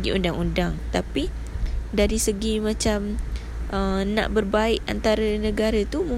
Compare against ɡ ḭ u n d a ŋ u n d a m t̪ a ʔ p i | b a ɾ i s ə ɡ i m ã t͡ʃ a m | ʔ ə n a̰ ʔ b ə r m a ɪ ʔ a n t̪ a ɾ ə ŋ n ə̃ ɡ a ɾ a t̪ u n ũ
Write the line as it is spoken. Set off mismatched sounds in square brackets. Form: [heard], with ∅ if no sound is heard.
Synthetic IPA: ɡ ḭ u n d a ŋ u n d a [ŋ] t̪ a [∅] p i | [d] a ɾ i s ə ɡ i m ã t͡ʃ a m | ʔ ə n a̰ ʔ b ə r [b] a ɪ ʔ a n t̪ a ɾ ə [∅] n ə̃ ɡ a ɾ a t̪ u [m] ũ